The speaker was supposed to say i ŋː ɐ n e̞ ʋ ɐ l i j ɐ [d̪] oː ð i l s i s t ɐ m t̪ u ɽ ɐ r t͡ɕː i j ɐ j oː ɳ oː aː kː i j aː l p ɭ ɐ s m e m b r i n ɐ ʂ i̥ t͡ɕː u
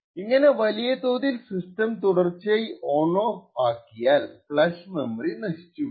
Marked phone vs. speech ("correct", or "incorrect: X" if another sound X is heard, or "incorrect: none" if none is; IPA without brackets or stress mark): incorrect: t̪